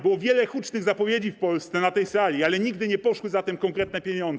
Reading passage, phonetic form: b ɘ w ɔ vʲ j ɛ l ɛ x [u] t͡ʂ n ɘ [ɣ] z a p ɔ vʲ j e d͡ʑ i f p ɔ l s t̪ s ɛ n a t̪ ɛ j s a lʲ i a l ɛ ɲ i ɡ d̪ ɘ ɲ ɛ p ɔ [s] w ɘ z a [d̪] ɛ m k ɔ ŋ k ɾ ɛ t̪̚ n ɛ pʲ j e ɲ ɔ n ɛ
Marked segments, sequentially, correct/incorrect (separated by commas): correct, correct, incorrect, incorrect